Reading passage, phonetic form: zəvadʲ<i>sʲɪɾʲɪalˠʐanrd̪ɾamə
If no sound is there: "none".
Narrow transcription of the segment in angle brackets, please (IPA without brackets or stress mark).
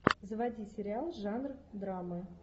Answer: i